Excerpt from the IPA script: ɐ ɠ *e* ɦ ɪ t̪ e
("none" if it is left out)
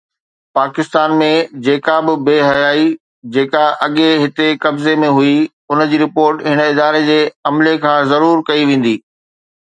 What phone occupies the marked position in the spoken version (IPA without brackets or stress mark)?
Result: e